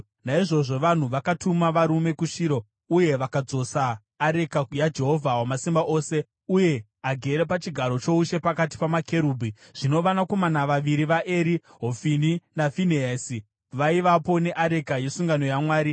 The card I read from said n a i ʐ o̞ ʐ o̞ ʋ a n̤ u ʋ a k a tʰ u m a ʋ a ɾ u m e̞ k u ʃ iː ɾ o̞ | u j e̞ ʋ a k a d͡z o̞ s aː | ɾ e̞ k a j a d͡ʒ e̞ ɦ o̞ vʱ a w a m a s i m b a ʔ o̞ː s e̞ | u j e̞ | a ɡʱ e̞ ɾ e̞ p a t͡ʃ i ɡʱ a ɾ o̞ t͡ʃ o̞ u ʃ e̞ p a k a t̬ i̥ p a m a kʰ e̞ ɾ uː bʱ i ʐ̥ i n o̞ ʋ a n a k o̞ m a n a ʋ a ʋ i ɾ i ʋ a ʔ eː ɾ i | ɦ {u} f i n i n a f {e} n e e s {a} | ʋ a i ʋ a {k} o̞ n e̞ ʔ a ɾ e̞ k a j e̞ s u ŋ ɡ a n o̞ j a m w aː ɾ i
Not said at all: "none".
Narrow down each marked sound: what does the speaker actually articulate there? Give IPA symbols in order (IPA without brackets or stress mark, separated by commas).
o, i, i, p